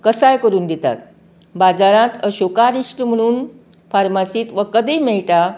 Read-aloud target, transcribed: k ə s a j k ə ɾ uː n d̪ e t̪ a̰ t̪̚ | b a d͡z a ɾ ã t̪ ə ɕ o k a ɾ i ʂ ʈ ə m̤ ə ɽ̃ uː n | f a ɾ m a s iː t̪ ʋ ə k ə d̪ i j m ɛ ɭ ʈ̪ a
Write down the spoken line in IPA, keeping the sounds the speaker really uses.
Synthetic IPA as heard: k ə s a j k ə ɾ uː n d̪ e t̪ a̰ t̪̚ | b a d͡z a ɾ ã t̪ ə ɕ o k a ɾ i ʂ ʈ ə m̤ ə ɽ̃ uː n | f a ɾ m a s iː t̪ ʋ ə k ə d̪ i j m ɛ ɭ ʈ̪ a

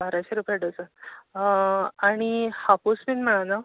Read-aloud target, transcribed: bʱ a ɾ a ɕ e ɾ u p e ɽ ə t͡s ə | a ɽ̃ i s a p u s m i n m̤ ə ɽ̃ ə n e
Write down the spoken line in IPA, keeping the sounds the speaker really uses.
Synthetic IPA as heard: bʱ a ɾ a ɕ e ɾ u p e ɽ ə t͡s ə | a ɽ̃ i h a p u s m i n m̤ ə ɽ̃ a n a

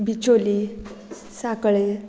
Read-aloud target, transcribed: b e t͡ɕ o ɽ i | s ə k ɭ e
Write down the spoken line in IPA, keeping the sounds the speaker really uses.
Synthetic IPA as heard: b i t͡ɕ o l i | s a k ɭ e

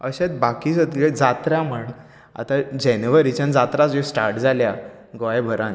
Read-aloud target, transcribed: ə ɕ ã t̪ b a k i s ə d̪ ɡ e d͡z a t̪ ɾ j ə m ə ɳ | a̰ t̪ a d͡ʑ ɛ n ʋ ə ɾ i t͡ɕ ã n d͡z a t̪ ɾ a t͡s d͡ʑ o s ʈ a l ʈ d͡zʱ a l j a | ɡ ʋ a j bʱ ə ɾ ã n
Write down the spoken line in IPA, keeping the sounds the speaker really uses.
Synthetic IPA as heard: ə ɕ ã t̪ b a k i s ə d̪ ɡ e d͡z a t̪ ɾ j a m ə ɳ | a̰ t̪ a d͡ʑ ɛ n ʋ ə ɾ i t͡ɕ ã n d͡z a t̪ ɾ a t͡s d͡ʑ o s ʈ a ɾ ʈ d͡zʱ a l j a | ɡ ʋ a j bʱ ə ɾ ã n

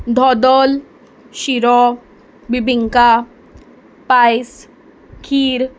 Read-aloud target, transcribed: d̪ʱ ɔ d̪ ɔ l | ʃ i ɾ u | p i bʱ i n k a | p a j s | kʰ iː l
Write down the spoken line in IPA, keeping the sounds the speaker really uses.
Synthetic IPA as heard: d̪ʱ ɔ d̪ ɔ l | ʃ i ɾ ɔ | b i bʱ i ŋ k a | p a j s | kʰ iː ɾ

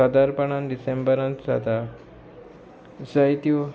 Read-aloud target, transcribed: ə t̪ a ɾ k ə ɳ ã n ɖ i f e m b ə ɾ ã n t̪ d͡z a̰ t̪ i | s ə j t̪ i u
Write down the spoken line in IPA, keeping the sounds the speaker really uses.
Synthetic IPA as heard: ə d̪ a ɾ p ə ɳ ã n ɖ i s e m b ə ɾ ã n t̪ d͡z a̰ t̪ a | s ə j t̪ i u

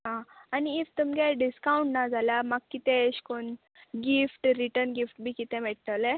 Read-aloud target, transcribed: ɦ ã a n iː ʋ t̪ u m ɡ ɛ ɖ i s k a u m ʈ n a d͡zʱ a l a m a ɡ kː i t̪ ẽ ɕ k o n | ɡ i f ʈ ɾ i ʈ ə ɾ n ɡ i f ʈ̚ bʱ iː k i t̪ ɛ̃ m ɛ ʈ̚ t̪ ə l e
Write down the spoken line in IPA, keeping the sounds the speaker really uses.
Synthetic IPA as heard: ɦ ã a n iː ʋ t̪ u m ɡ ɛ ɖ i s k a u ɳ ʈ n a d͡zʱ a l a m a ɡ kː i t̪ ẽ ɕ k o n | ɡ i f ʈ ɾ i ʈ ə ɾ n ɡ i f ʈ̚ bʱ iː k i t̪ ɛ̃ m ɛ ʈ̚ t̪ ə l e

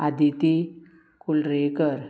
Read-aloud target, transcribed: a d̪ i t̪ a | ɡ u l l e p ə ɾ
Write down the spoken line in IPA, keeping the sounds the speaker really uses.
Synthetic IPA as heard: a d̪ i t̪ i | k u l ɾ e k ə ɾ

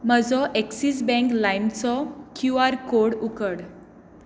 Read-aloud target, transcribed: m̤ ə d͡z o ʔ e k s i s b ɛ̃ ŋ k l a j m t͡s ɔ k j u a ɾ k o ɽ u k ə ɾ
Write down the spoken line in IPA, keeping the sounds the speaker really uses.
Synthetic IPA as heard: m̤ ə d͡z ɔ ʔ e k s i s b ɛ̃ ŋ k l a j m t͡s ɔ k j u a ɾ k o ɽ u k ə ɽ

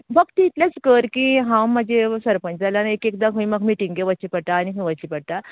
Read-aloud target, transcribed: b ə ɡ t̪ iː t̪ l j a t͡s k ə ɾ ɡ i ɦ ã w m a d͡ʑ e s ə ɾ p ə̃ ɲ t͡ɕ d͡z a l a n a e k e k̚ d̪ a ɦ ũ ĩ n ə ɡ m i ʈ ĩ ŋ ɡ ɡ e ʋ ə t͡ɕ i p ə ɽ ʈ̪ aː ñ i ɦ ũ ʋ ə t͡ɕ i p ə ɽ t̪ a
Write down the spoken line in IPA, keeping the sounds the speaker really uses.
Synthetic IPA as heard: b ə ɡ t̪ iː t̪ l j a t͡s k ə ɾ k i ɦ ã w m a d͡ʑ e s ə ɾ p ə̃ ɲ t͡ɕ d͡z a l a n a e k e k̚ d̪ a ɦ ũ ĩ m ə ɡ m i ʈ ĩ ŋ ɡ ɡ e ʋ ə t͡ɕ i p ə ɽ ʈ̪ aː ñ i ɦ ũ ʋ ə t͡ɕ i p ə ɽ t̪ a

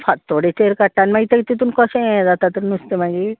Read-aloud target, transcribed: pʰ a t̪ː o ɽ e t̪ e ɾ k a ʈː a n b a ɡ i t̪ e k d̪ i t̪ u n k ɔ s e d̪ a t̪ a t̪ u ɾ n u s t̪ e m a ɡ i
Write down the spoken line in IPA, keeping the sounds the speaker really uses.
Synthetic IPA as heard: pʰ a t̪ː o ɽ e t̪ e ɾ k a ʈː a n m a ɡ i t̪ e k t̪ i t̪ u n k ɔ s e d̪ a t̪ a t̪ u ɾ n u s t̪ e m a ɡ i

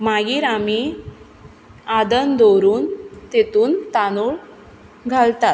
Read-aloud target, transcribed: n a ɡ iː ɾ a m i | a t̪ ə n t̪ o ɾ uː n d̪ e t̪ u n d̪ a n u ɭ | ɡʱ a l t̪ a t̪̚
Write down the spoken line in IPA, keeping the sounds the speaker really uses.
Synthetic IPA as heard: m a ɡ iː ɾ a m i | a d̪ ə n d̪ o ɾ uː n t̪ e t̪ uː n t̪ a n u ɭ | ɡʱ a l t̪ a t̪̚

